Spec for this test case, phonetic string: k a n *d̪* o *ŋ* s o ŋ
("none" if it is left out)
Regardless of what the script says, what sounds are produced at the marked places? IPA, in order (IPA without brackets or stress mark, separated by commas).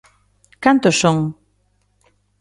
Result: t̪, none